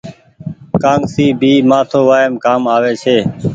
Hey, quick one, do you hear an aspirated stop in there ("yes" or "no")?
yes